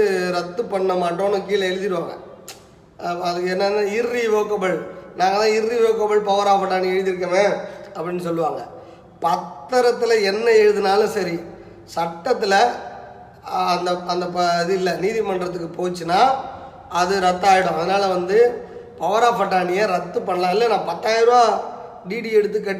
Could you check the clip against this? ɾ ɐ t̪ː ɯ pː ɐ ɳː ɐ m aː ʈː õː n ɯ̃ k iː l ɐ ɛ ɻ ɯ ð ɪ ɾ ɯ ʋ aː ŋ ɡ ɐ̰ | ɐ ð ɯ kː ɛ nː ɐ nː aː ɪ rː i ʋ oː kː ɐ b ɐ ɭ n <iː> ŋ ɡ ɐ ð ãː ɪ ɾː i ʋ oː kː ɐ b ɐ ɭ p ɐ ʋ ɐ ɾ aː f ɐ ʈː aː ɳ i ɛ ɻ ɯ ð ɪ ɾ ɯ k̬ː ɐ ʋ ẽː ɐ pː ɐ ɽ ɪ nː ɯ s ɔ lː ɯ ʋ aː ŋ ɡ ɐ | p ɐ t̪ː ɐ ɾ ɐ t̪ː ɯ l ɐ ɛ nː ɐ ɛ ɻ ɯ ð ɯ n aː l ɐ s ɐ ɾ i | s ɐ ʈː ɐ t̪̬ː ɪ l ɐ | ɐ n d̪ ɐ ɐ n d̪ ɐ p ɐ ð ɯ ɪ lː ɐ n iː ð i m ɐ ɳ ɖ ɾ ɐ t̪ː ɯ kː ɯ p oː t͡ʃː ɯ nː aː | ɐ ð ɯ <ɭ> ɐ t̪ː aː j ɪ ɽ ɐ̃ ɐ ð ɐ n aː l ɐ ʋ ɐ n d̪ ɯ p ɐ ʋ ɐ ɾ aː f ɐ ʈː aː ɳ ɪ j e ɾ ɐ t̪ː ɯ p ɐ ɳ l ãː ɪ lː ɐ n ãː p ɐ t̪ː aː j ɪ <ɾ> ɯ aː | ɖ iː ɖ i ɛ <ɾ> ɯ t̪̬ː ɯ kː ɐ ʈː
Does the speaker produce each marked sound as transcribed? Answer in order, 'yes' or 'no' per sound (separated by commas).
no, no, yes, no